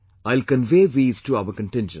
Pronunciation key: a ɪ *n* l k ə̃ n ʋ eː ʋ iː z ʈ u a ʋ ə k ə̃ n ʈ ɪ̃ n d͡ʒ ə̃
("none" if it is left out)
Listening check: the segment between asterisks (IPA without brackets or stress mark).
none